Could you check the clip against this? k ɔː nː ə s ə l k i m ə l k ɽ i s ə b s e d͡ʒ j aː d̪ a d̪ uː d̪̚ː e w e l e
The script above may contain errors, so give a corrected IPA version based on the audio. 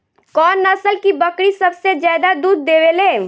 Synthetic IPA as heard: k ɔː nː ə s ə l k i b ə k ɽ i s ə b s e d͡ʒ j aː d̪ a d̪ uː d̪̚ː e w e l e